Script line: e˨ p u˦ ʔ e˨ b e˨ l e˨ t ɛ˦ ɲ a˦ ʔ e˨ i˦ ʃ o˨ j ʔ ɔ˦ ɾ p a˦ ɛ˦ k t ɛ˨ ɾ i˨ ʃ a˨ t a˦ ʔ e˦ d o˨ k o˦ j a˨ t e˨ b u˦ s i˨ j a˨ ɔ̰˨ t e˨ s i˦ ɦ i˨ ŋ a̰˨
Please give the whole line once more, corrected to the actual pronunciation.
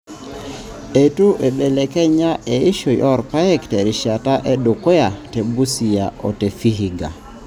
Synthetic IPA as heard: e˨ t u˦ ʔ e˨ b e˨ l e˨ k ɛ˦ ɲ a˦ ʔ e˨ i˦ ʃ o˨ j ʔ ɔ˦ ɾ p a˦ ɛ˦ k t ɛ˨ ɾ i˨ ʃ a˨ t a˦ ʔ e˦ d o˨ k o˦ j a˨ t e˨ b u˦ s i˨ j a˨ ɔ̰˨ t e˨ f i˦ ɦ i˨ ɡ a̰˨